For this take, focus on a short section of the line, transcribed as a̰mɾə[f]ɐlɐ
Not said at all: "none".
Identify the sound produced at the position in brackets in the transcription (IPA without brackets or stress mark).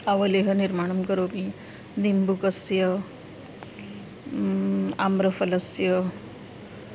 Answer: f